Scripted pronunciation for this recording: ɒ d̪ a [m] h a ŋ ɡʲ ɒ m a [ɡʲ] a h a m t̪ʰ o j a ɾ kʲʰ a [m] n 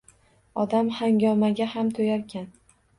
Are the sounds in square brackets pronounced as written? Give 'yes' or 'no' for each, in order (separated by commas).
yes, yes, no